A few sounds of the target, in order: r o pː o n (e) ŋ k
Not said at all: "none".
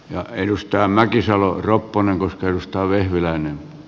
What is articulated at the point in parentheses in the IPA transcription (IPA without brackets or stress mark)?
e